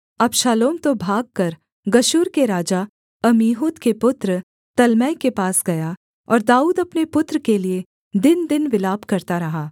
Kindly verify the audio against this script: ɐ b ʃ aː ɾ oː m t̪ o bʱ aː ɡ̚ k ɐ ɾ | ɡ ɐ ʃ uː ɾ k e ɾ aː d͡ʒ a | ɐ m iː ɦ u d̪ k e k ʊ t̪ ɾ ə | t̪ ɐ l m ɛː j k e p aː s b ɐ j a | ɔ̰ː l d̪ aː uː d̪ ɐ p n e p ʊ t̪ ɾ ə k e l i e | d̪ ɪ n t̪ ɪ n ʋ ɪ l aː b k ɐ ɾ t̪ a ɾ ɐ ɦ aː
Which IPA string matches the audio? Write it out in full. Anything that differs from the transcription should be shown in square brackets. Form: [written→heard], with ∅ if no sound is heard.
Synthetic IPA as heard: ɐ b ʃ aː [ɾ→l] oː m t̪ o bʱ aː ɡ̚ k ɐ ɾ | ɡ ɐ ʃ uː ɾ k e ɾ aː d͡ʒ a | ɐ m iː ɦ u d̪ k e [k→p] ʊ t̪ ɾ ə | t̪ ɐ l m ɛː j k e p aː s [b→ɡ] ɐ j a | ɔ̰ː [l→ɾ] d̪ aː uː d̪ ɐ p n e p ʊ t̪ ɾ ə k e l i e | d̪ ɪ n [t̪→d̪] ɪ n ʋ ɪ l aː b k ɐ ɾ t̪ a ɾ ɐ ɦ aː